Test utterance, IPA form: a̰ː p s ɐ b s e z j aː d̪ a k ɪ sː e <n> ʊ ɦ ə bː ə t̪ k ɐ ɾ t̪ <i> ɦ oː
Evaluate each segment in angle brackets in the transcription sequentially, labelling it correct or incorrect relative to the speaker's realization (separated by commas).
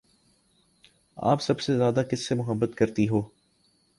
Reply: incorrect, correct